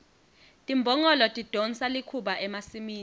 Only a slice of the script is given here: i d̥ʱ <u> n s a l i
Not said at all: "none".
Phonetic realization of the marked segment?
ɔ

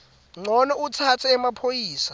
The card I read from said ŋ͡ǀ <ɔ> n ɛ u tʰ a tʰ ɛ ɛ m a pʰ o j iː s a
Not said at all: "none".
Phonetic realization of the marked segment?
ɔ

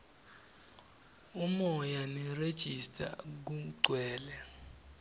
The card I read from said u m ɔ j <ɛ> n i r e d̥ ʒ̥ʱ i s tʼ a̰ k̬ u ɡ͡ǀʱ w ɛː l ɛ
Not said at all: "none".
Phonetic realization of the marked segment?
a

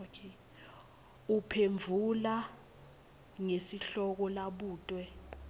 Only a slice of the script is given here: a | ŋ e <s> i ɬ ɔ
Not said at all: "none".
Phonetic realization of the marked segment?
s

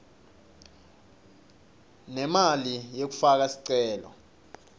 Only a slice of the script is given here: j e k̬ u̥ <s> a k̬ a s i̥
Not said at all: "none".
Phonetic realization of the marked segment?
f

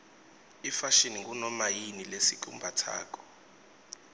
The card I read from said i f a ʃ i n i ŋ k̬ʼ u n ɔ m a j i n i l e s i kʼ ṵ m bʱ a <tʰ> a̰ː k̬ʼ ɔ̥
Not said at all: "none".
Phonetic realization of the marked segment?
tʰ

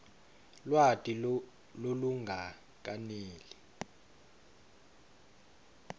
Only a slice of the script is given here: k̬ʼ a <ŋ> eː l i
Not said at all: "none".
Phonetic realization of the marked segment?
n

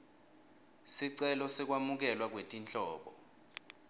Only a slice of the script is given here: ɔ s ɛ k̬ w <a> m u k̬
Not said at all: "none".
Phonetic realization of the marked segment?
a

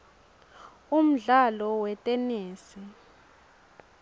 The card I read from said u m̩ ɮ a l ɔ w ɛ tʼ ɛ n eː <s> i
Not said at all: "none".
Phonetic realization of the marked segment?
s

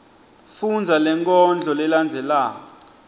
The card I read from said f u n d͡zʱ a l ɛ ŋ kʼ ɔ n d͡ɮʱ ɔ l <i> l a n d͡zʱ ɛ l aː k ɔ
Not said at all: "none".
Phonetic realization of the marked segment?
ɛ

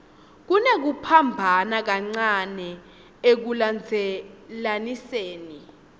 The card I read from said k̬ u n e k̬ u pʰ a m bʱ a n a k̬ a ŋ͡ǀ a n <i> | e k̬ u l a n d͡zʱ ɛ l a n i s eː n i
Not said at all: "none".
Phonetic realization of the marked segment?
ɛ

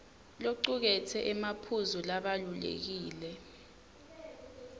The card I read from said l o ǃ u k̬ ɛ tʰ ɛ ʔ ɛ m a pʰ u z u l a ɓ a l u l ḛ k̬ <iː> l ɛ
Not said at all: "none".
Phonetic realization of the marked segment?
iː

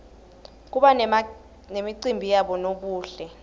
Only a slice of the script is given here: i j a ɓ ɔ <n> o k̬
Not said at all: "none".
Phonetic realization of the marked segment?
n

